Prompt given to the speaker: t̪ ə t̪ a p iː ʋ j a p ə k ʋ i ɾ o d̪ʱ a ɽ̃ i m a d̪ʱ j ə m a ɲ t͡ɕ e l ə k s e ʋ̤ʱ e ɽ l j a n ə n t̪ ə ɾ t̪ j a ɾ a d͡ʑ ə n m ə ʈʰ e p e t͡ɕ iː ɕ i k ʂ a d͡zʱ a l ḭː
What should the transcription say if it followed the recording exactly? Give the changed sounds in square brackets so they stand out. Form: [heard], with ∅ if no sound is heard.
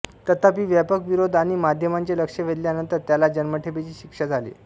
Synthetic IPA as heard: t̪ ə t̪ a p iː ʋ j a p ə k ʋ i ɾ o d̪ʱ a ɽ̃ i m a d̪ʱ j ə m a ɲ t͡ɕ e l ə k [ʂ] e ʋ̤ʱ e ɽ l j a n ə n t̪ ə ɾ t̪ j a [l] a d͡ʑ ə n m ə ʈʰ e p e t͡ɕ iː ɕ i k ʂ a d͡zʱ a l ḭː